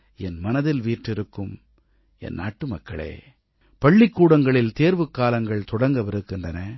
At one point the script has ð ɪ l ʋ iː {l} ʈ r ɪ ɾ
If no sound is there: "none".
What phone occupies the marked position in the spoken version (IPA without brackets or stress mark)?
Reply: none